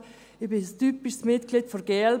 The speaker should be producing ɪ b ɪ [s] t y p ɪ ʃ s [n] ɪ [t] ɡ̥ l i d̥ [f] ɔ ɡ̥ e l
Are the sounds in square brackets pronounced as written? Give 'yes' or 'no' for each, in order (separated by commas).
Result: yes, no, yes, yes